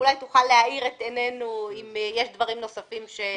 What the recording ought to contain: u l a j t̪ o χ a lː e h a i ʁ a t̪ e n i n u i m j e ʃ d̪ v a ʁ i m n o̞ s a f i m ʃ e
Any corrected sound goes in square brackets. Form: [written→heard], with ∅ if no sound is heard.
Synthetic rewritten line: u l a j t̪ [o→u] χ a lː e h a i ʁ [a→e] t̪ e n [i→e] n u i m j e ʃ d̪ v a ʁ i m n o̞ s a f i m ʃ e